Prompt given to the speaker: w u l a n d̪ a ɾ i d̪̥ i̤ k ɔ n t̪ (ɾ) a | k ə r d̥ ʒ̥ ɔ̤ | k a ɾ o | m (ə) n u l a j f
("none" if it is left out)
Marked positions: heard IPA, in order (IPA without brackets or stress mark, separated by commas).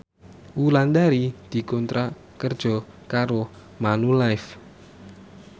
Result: ɾ, a